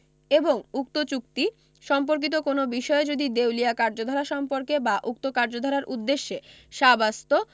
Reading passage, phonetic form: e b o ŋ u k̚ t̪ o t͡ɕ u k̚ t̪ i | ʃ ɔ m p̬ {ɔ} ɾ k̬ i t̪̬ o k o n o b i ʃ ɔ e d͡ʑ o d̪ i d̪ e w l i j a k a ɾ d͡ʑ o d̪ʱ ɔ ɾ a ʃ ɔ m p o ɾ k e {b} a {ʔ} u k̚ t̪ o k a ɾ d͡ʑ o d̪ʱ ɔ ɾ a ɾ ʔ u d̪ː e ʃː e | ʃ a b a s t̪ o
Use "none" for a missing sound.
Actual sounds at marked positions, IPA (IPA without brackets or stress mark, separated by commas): o, b, ʔ